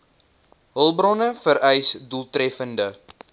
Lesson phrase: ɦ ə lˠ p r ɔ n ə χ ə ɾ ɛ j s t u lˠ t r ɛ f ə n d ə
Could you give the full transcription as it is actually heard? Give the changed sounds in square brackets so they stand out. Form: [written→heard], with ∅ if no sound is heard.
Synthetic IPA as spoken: ɦ ə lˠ [p→b] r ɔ n ə [χ→f] ə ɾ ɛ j s [t→d] u lˠ t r ɛ f ə n d ə